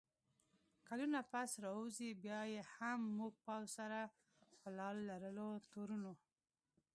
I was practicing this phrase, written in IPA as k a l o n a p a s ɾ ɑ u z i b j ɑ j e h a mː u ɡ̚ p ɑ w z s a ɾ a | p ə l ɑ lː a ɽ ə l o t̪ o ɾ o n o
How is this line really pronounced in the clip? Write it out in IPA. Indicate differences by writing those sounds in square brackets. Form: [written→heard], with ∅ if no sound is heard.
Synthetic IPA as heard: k a l [o→u] n a p a s ɾ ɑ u z i b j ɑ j e h a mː u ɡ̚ p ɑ w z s a ɾ a | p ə l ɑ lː a [ɽ→ɾ] ə l o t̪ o ɾ [o→u] n o